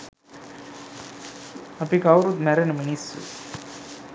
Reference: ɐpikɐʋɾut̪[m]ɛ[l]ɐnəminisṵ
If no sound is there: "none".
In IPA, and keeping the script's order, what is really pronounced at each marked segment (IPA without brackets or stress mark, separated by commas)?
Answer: m, ɾ